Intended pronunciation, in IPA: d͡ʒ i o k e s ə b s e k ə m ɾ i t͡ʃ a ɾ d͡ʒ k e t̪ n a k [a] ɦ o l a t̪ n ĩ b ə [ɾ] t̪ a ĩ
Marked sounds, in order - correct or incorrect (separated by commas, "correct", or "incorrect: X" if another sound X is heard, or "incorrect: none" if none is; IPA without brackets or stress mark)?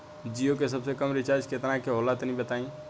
incorrect: e, incorrect: none